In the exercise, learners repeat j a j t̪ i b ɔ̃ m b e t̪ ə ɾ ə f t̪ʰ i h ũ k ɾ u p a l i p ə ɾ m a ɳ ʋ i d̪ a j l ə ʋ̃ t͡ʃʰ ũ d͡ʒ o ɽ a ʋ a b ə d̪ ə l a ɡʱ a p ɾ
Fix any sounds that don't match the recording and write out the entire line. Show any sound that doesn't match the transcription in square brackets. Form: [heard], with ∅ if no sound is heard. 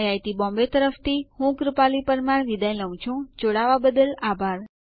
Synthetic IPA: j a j t̪ i b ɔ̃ m b e t̪ ə ɾ ə f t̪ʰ i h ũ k ɾ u p a l i p ə ɾ m a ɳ ʋ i d̪ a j l ə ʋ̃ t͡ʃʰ ũ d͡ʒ o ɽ a ʋ a b ə d̪ ə l a [bʱ] a [∅] ɾ

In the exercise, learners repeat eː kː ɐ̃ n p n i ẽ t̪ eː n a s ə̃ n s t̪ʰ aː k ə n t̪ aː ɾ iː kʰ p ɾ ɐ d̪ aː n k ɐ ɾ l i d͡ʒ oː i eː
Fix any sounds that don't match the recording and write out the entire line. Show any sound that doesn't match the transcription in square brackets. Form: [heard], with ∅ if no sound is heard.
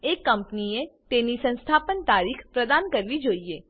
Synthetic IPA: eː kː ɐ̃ [m] p n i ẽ t̪ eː n [i] s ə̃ n s t̪ʰ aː [p] ə n t̪ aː ɾ iː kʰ p ɾ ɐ d̪ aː n k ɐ ɾ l i d͡ʒ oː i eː

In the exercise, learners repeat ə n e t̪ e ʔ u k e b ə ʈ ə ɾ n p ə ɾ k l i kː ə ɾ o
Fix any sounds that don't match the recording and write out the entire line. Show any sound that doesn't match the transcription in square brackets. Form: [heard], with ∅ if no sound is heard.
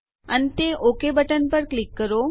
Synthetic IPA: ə n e t̪ e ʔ [o] k e b ə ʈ ə [∅] n p ə ɾ k l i kː ə ɾ o

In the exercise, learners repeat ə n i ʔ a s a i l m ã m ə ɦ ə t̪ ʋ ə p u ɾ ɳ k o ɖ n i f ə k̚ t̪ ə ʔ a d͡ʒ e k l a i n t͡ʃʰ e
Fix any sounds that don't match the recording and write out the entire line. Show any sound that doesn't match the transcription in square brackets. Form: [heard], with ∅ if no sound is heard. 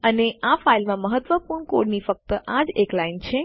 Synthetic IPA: ə n [e] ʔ a [f] a i l m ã m ə ɦ ə t̪ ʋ ə p u ɾ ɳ k o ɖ n i f ə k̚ t̪ ə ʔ a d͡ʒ e k l a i n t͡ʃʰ e

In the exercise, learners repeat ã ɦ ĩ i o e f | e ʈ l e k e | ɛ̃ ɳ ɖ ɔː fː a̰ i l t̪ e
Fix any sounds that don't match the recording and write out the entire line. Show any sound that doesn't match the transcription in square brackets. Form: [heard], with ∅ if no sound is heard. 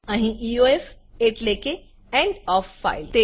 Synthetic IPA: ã ɦ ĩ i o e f | e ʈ l e k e | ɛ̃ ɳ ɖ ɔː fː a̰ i l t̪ e

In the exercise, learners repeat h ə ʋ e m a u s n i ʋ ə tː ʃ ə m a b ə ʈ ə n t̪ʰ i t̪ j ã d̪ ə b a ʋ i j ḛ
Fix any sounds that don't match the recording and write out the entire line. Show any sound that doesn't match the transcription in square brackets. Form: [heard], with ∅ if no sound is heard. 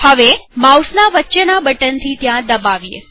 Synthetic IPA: h ə ʋ e m a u s n [a] ʋ ə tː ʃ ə [n] a b ə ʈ ə n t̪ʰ i t̪ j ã d̪ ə b a ʋ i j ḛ

